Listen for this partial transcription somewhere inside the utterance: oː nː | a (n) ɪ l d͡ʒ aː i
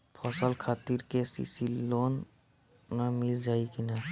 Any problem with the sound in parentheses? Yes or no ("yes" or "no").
yes